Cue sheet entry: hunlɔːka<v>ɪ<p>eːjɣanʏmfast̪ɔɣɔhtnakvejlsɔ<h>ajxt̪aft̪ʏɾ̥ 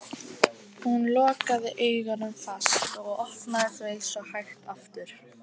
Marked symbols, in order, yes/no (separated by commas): no, no, yes